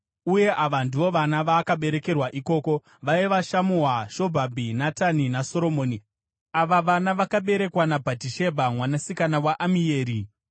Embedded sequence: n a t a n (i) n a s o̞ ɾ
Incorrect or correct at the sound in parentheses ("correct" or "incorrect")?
correct